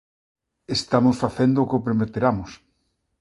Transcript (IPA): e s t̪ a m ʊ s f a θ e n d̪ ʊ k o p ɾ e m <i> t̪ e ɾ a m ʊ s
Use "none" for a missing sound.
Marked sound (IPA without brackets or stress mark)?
e